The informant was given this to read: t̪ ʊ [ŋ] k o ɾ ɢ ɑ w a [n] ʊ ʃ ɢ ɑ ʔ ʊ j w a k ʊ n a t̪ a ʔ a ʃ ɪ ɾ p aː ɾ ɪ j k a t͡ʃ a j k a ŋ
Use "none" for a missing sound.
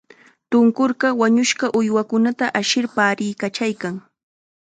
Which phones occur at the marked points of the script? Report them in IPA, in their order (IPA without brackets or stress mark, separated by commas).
ŋ, ɲ